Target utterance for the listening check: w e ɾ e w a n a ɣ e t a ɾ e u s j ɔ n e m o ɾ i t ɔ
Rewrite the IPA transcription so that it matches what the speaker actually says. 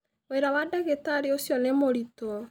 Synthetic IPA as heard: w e ɾ a w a d a ɣ e t a ɾ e o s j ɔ n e m o ɾ i t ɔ